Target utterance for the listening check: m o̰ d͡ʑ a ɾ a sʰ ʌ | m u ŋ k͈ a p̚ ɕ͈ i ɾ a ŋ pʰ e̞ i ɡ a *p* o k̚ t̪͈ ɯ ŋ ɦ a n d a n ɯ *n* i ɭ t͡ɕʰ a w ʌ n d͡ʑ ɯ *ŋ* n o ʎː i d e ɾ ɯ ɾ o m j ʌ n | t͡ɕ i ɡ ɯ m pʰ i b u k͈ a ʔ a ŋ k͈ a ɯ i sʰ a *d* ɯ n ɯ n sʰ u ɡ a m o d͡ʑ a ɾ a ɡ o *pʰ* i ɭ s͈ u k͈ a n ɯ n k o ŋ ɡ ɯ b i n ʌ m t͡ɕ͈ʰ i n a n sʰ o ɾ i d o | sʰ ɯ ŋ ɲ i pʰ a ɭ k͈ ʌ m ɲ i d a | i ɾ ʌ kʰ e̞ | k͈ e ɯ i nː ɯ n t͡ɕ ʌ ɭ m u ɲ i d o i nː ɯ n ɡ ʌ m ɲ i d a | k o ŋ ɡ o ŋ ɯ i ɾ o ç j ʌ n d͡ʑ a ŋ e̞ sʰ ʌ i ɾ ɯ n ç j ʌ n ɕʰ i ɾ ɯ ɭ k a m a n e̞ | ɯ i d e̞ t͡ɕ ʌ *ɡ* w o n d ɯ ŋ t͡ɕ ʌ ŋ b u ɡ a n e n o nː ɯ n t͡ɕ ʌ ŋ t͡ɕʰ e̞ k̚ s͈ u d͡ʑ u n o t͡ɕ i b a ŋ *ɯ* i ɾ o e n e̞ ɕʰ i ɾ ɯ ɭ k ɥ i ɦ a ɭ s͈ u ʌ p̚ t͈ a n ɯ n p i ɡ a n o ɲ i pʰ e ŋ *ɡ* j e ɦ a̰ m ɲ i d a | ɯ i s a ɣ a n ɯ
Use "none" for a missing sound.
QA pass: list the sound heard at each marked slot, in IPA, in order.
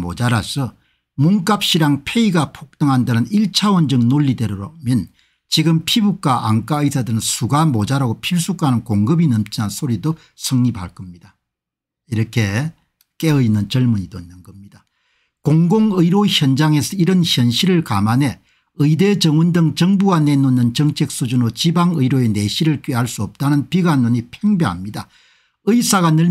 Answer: pʰ, n, ŋ, d, pʰ, ŋ, ɯ, b

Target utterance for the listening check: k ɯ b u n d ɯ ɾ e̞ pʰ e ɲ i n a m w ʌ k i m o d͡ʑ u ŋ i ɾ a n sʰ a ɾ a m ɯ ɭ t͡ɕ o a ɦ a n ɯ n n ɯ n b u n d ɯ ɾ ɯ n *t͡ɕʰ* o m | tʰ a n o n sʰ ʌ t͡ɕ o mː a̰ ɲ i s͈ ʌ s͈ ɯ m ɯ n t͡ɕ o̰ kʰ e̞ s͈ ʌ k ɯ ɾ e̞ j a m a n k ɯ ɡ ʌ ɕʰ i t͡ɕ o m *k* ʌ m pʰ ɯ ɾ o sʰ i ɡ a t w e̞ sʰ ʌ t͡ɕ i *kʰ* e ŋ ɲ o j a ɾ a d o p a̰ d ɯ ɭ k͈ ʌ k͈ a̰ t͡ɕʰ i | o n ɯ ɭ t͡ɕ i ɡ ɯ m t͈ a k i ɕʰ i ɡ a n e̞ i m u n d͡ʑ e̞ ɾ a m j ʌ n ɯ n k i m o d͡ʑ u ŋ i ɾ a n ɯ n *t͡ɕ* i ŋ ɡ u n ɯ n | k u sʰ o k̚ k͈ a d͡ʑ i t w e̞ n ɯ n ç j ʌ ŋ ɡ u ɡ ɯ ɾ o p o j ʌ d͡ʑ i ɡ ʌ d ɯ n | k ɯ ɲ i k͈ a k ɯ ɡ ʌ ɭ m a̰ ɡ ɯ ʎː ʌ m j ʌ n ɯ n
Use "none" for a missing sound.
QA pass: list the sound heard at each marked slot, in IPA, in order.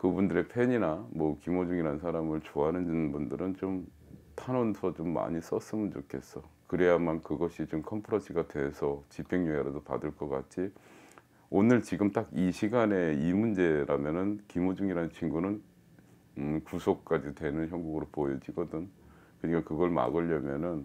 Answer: t͡ɕ, kʰ, pʰ, t͡ɕʰ

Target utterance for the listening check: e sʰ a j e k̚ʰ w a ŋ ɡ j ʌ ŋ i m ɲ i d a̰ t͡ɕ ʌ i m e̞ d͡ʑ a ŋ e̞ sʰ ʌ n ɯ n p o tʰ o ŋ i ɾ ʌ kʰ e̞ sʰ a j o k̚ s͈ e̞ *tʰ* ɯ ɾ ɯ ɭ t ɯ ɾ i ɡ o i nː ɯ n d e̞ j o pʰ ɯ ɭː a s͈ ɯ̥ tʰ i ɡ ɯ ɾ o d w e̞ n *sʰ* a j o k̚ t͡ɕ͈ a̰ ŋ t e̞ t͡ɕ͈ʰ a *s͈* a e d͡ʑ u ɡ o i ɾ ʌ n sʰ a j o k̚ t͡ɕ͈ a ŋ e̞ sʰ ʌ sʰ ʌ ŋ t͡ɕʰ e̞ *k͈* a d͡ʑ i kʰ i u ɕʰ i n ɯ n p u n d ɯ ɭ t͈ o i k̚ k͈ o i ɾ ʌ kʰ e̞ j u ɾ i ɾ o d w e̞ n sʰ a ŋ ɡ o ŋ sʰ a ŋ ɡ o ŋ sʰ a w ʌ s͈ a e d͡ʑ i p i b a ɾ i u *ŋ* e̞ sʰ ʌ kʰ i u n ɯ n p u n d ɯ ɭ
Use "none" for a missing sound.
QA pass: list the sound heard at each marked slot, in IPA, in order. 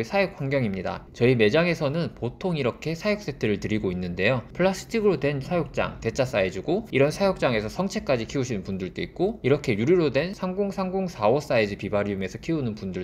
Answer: tʰ, sʰ, s͈, k͈, m

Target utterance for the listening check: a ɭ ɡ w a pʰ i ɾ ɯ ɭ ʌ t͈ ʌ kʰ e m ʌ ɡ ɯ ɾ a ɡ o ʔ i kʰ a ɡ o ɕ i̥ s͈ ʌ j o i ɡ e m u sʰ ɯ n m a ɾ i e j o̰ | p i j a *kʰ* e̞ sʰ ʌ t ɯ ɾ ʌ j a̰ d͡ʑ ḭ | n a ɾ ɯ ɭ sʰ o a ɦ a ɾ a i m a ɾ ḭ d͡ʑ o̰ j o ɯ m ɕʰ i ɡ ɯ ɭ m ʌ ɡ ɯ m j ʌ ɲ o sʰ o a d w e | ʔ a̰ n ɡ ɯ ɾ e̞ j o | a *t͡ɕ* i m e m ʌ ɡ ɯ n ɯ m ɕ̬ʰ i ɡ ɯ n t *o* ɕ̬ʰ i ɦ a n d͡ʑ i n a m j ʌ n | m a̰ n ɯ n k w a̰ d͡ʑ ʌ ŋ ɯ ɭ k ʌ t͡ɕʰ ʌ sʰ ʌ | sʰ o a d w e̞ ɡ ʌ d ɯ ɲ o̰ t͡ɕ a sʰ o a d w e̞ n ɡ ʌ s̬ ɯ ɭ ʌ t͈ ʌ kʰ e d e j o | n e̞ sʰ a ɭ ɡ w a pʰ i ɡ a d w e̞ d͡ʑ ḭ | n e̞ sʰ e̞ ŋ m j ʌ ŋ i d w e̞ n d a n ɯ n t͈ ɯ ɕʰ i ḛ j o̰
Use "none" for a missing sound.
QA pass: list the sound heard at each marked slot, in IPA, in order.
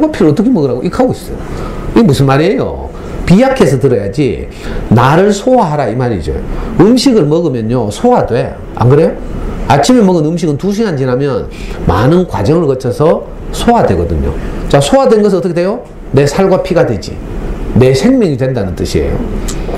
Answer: kʰ, t͡ɕʰ, u

